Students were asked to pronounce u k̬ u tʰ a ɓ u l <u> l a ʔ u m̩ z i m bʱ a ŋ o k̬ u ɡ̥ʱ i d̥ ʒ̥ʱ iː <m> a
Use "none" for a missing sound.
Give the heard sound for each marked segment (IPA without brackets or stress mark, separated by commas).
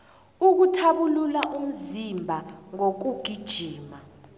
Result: u, m